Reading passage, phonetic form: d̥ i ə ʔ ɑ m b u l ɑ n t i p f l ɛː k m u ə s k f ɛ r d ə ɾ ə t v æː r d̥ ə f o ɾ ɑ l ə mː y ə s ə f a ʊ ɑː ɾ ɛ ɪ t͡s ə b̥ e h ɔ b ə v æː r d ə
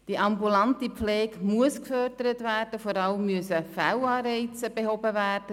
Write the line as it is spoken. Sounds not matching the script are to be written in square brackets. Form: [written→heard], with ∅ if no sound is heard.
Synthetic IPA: d̥ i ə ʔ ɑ m b u l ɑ n t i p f l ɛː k m u ə s k f [ɛ→œ] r d ə ɾ ə t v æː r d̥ ə f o ɾ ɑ l ə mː y ə s ə f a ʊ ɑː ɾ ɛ ɪ t͡s ə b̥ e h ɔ b ə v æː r d ə